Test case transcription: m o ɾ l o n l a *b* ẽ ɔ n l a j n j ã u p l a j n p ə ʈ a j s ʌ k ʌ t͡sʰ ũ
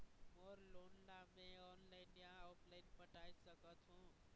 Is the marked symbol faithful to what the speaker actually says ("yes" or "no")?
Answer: no